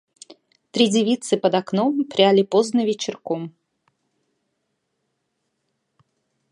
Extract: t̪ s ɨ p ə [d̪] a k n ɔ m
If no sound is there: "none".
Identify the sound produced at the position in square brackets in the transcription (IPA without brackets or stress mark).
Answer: d̪